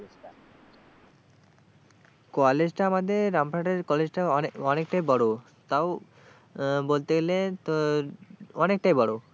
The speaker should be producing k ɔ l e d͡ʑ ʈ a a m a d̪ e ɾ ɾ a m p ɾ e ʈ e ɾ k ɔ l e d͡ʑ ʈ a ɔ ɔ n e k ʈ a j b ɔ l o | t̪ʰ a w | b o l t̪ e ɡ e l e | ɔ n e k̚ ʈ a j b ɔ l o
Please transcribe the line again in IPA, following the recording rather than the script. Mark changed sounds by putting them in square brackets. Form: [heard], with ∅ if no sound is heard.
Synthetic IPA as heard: k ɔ l e d͡ʑ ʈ a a m a d̪ e ɾ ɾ a m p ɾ [a] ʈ e ɾ k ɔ l e d͡ʑ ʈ a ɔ ɔ n e k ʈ a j b ɔ [ɽ] o | [t̪] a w | b o l t̪ e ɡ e l e | ɔ n e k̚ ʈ a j b ɔ [ɽ] o